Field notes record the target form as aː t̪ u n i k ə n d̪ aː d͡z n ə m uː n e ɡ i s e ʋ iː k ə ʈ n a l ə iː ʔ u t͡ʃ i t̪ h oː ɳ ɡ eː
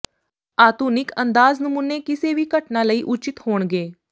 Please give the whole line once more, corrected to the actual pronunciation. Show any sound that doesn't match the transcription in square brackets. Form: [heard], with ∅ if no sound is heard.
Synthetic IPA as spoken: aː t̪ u n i k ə n d̪ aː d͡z n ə m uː n e [k] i s e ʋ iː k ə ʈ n a l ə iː ʔ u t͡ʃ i t̪ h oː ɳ ɡ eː